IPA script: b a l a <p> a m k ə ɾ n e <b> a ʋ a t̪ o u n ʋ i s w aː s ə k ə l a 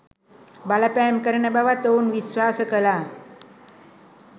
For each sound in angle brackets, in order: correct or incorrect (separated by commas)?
correct, correct